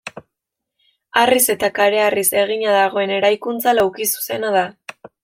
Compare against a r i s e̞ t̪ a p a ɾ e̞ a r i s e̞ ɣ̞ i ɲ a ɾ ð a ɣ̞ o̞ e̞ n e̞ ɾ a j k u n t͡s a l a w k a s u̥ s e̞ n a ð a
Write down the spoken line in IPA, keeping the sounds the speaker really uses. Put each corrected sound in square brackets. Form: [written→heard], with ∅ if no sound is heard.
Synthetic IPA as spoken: a r i s e̞ t̪ a [p→k] a ɾ e̞ a r i s e̞ ɣ̞ i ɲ a [ɾ→∅] ð a ɣ̞ o̞ e̞ n e̞ ɾ a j k u n t͡s a l a w k [a→i] s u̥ s e̞ n a ð a